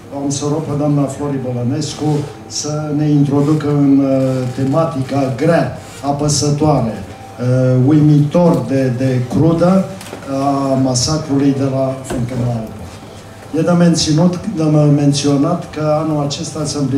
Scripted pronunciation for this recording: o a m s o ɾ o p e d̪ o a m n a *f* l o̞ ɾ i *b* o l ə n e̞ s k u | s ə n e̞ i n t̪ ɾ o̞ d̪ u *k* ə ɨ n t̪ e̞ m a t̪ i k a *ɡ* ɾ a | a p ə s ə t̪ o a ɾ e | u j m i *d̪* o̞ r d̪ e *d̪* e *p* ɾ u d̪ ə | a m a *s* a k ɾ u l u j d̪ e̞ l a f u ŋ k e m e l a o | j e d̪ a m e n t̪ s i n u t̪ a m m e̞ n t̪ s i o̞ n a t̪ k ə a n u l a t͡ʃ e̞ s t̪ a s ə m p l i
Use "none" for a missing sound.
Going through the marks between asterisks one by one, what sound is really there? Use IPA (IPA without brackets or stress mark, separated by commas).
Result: f, b, k, ɡ, t̪, d̪, k, s